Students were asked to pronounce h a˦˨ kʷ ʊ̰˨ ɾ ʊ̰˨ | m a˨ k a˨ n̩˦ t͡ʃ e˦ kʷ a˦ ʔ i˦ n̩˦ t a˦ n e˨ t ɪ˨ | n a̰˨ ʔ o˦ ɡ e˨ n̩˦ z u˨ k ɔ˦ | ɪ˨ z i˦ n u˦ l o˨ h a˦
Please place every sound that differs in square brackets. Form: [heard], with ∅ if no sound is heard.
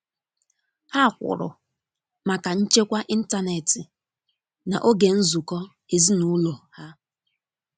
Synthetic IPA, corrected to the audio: h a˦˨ kʷ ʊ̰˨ ɾ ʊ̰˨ | m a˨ k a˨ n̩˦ t͡ʃ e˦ kʷ a˦ ʔ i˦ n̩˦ t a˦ n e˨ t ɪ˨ | n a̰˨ ʔ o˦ ɡ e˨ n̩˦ z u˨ k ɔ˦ | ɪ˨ z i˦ n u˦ l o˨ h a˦